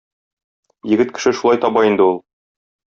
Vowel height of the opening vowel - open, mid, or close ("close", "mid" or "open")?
mid